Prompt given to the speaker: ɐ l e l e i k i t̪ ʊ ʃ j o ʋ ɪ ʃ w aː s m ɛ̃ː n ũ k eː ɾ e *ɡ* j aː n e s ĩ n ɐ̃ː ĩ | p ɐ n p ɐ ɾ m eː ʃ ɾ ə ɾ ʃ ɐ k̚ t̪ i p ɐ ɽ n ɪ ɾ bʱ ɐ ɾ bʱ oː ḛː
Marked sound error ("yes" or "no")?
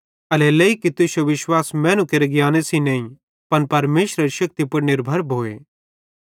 no